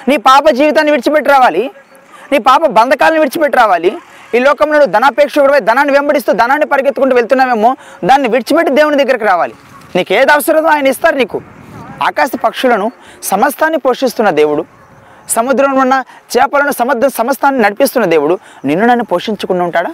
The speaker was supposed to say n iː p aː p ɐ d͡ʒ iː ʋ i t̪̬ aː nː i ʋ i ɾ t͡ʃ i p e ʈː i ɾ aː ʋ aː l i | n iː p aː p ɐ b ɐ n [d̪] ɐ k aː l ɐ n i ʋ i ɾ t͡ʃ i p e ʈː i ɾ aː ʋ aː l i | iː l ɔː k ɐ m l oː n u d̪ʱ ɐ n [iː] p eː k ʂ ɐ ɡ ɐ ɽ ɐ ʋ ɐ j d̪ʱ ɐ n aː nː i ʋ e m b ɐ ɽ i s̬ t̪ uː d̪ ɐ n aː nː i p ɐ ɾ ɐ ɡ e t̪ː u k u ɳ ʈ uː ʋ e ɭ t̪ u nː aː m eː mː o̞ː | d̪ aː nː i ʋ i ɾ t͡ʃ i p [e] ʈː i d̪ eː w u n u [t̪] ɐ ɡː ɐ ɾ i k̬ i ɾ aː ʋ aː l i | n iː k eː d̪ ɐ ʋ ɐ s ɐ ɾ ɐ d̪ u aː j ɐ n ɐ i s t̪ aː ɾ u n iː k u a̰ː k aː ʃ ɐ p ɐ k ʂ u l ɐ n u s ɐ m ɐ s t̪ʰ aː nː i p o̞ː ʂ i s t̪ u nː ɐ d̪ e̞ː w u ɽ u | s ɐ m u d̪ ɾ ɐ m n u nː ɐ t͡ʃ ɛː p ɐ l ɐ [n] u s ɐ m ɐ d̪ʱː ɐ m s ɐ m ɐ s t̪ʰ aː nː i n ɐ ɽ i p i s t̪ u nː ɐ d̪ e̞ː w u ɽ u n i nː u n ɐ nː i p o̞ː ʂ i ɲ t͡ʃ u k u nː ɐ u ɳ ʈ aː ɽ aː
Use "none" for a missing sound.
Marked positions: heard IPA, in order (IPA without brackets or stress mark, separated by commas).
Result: d̪, aː, e, d̪, n